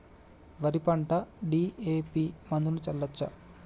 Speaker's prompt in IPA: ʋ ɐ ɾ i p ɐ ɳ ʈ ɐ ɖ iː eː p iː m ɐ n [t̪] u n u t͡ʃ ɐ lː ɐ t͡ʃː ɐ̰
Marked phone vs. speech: incorrect: d̪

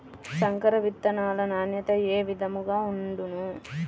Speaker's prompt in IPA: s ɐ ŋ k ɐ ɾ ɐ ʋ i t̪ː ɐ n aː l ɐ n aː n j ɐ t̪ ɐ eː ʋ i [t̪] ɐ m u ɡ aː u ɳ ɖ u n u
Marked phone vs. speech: incorrect: d̪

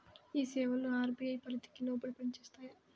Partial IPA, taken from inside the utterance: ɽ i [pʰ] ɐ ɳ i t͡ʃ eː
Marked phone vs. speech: incorrect: p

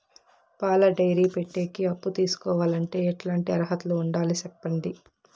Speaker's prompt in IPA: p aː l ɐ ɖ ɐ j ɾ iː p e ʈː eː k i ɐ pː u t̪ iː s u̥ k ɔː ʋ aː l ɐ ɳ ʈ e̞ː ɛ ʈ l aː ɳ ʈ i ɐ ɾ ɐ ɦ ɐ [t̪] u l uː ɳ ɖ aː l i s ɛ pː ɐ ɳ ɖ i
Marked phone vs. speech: correct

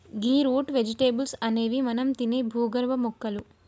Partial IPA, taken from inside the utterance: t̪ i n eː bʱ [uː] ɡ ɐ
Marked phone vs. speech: correct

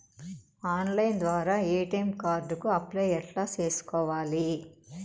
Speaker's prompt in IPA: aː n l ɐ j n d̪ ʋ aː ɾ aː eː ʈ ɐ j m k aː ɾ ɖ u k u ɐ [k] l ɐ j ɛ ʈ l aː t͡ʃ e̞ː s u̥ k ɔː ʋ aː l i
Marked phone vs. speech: incorrect: p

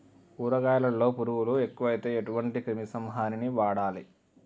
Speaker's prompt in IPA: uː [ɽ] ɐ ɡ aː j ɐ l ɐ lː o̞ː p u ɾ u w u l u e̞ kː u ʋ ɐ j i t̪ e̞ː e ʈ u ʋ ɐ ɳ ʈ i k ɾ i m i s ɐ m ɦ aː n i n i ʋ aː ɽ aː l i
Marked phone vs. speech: incorrect: ɾ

